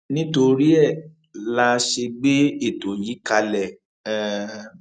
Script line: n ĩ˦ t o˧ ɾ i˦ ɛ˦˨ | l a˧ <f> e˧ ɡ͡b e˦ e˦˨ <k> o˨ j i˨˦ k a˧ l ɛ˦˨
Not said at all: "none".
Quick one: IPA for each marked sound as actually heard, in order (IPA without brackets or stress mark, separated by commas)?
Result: ʃ, t